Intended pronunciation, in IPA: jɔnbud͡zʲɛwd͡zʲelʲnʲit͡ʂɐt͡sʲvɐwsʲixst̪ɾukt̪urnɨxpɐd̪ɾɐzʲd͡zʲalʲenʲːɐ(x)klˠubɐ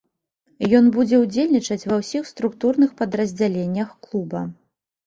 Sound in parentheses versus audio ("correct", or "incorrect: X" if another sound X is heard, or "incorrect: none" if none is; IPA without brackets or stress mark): correct